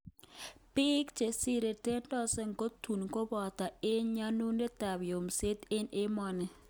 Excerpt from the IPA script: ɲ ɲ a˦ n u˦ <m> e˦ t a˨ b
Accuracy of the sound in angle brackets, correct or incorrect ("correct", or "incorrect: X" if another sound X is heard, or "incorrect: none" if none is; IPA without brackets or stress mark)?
incorrect: n